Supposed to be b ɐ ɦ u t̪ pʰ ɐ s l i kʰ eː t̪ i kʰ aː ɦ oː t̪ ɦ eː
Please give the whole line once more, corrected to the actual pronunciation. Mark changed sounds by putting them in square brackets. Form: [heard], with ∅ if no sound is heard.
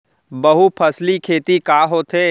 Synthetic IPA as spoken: b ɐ ɦ u [∅] pʰ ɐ s l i kʰ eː t̪ i [k] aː ɦ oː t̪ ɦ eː